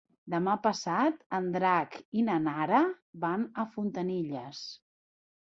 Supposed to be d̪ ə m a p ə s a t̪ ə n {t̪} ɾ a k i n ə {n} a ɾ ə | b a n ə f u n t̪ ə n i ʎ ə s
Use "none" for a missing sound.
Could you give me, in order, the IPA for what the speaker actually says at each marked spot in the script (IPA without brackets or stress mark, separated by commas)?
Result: d̪, n